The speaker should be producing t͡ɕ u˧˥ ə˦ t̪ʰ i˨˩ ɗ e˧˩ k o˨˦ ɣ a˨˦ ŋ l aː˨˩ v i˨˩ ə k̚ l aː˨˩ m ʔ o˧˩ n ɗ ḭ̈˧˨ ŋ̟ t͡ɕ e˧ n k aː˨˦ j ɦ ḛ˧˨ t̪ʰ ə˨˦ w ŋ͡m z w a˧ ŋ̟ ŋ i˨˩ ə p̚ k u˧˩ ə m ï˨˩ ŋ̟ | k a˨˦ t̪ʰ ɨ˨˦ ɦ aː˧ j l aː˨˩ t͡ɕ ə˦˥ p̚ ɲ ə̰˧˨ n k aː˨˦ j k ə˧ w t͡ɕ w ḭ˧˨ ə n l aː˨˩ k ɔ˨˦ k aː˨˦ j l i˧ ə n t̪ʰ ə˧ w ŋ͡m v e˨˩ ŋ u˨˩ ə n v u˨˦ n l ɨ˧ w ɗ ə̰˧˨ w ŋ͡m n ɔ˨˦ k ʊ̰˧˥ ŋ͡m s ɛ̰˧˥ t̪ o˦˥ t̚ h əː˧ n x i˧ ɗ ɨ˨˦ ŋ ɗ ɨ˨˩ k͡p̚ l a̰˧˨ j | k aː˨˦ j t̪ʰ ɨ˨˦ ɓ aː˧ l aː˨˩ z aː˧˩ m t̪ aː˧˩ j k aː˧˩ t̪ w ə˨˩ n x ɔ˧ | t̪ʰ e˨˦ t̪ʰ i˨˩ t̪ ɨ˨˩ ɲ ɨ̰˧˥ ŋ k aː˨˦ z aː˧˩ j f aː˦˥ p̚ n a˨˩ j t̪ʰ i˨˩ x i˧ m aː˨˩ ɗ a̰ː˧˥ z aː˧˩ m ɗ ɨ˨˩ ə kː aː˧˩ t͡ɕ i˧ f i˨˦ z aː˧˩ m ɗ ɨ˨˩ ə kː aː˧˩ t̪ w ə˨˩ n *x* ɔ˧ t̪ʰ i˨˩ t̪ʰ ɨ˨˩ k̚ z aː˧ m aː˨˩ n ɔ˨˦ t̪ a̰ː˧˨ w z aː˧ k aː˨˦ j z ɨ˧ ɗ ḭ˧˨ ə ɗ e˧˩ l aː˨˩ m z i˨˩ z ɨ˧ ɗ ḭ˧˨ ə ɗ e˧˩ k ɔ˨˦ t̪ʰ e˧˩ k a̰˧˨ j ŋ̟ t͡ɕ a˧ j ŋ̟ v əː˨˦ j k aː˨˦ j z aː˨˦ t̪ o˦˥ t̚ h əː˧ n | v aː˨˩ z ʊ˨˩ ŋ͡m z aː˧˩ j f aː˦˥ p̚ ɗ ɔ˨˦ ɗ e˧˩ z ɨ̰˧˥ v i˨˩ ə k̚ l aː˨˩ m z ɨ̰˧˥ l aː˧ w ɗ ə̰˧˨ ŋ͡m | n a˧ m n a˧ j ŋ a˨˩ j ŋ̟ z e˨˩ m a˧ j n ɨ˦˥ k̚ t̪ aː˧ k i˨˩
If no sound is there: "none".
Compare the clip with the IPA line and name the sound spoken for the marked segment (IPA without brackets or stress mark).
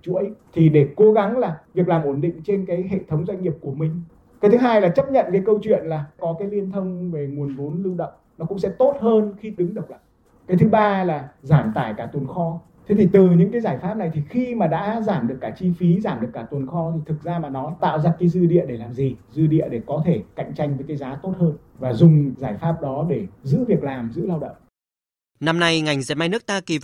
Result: x